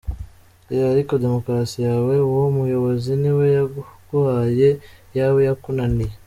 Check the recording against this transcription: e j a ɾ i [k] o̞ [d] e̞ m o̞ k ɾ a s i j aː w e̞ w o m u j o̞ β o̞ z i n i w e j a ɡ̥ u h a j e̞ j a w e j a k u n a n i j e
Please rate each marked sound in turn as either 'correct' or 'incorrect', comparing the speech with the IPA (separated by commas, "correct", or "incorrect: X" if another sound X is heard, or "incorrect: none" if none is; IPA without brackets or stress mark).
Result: correct, correct